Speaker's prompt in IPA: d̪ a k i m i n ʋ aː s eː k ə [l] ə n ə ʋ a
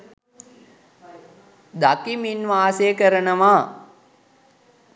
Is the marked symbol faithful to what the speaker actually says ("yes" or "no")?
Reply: no